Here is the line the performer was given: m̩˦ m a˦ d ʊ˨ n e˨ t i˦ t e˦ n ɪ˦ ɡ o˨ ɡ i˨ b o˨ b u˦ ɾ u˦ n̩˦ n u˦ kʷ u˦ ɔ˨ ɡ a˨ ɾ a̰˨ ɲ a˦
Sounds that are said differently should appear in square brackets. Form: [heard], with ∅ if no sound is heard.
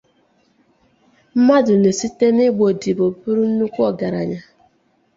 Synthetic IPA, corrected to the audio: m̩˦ m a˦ d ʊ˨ n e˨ [s] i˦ t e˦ n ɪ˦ [ɡ͡b] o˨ [d] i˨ b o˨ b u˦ ɾ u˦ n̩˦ n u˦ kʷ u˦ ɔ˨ ɡ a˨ ɾ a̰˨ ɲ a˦